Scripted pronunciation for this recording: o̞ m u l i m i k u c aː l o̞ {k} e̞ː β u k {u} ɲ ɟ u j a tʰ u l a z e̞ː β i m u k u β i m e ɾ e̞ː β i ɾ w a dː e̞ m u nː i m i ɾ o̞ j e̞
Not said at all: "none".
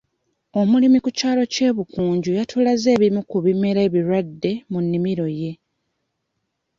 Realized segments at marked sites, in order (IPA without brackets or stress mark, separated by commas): c, uː